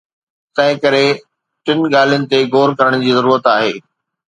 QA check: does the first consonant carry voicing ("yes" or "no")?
no